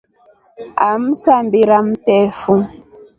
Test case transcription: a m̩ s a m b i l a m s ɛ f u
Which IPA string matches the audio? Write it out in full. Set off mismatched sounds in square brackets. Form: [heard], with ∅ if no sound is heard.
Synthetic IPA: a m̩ s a m b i [ɾ] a m [t] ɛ f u

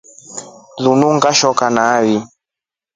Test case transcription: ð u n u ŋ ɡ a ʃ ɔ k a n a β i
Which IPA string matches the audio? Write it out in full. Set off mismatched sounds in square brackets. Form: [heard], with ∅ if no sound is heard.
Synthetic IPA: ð u n u ŋ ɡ a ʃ ɔ k a n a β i

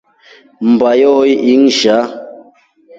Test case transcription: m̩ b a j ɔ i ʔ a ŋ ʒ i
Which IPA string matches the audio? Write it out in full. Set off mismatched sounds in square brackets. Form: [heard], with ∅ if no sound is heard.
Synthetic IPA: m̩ b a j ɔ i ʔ [i] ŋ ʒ [a]

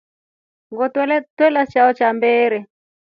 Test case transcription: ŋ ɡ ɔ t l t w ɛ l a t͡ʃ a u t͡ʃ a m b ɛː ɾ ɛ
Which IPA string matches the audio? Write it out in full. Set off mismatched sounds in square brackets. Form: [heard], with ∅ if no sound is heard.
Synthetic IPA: ŋ ɡ ɔ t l t w ɛ l a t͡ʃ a [ɔ] t͡ʃ a m b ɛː ɾ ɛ

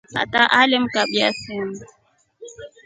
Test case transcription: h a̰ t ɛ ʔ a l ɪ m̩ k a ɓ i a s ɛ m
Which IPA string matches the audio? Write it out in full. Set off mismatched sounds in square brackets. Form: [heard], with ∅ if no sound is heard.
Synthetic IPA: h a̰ t [a] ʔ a l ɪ m̩ k a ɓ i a s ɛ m

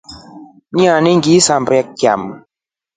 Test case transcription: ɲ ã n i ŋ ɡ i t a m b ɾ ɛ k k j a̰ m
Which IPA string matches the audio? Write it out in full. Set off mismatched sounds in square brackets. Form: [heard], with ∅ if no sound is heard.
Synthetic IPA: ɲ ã n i ŋ ɡ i [s] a m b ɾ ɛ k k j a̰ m

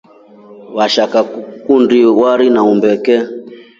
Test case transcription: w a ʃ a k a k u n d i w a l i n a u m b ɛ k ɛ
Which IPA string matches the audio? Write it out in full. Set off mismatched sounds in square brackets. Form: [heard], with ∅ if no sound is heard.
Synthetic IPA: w a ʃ a k a k u n d i w a [ɾ] i n a u m b ɛ k ɛ

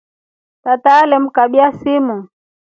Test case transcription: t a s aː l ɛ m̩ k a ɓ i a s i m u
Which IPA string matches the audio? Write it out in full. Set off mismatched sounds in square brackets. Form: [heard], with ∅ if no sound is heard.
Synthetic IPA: t a [t] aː l ɛ m̩ k a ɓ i a s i m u

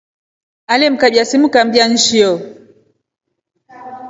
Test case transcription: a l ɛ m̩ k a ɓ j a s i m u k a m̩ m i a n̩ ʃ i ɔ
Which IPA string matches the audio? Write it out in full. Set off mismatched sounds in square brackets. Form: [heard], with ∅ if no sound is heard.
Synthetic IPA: a l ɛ m̩ k a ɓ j a s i m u k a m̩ [b] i a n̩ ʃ i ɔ

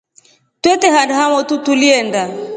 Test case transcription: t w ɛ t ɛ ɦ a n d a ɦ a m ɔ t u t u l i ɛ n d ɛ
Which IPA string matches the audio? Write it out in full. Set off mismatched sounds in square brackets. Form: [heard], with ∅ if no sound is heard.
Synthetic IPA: t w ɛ t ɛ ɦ a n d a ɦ a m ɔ t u t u l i ɛ n d [a]

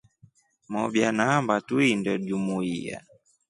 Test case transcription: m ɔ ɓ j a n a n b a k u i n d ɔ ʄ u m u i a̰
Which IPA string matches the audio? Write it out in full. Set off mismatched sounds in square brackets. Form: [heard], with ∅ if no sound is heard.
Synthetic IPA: m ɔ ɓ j a n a [m] b a [t] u i n d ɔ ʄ u m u i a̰

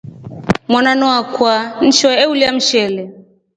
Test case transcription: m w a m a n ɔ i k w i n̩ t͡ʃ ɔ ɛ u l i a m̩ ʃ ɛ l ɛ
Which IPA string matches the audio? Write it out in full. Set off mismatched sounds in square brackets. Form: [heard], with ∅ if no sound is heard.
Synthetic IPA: m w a [n] a n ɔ [a] k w [a] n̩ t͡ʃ ɔ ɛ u l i a m̩ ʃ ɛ l ɛ

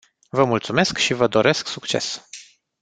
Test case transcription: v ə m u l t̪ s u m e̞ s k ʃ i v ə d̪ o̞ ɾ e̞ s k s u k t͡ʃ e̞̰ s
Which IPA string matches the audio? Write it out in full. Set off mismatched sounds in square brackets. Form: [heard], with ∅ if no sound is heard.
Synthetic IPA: v ə m u l t̪ s u m e̞ s k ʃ i v ə d̪ o̞ ɾ e̞ s k s u k t͡ʃ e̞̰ s

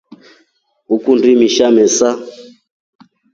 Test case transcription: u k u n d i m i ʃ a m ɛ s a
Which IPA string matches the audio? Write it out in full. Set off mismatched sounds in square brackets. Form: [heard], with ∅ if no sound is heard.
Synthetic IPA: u k u n d i m i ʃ a m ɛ s a

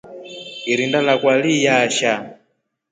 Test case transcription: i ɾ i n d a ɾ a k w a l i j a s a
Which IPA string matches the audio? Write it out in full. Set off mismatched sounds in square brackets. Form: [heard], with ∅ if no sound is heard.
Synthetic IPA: i ɾ i n d a [l] a k w a l i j a [ʃ] a

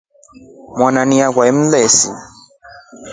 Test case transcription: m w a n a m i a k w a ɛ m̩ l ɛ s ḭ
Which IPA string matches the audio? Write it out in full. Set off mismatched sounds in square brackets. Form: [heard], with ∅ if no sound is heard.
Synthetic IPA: m w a n a [n] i a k w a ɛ m̩ l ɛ s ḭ

